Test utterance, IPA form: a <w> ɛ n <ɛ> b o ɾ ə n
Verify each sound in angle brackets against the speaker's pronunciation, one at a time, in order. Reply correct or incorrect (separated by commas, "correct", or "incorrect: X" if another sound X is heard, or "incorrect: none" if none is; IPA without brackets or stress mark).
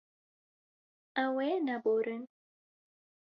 correct, incorrect: a